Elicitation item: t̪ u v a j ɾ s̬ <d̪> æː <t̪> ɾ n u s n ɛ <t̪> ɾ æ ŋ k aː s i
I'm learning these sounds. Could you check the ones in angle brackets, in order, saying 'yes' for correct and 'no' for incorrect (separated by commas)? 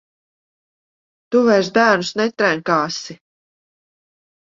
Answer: yes, no, yes